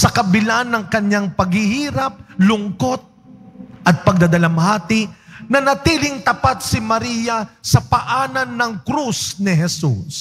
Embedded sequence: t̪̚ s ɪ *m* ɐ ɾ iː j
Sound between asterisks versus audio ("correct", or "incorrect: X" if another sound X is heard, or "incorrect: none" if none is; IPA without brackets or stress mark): correct